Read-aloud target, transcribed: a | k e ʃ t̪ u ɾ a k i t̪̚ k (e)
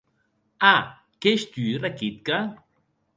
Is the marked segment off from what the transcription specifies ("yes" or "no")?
yes